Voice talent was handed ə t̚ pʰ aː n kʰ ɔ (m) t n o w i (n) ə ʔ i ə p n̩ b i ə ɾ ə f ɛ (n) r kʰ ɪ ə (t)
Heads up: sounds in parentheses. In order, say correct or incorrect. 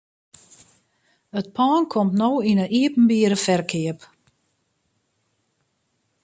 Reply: correct, correct, incorrect, incorrect

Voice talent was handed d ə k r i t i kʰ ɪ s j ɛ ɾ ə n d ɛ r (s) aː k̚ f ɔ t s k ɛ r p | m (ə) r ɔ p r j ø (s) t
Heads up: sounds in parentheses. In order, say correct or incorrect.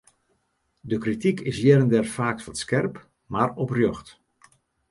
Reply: incorrect, incorrect, incorrect

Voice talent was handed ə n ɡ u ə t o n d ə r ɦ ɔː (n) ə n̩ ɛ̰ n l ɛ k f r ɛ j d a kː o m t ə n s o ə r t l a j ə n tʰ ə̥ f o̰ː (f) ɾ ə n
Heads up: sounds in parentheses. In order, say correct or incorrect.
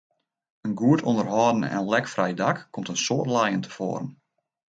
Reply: incorrect, incorrect

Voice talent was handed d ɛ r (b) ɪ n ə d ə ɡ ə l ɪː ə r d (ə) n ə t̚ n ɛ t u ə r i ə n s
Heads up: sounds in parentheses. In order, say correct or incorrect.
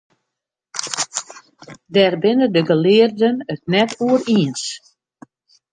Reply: correct, correct

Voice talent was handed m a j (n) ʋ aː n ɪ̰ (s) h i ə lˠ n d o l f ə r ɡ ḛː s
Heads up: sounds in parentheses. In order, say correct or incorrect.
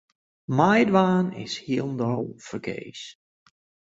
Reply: incorrect, correct

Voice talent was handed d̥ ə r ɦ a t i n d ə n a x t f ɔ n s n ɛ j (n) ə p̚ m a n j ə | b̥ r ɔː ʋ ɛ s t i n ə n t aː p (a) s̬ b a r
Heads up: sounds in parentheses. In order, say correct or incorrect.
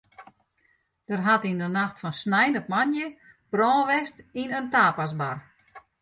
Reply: correct, correct

